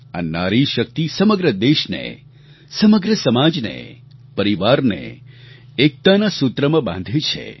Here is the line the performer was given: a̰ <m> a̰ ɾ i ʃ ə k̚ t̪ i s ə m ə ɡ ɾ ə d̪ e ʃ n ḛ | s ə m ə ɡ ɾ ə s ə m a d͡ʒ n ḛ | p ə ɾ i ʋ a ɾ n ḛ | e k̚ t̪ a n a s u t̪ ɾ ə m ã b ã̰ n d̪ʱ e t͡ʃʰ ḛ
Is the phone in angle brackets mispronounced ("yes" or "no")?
yes